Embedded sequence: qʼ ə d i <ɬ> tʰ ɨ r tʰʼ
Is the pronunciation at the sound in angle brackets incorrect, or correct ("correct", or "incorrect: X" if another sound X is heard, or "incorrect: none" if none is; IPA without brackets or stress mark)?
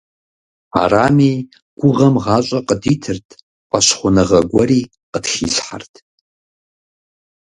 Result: incorrect: none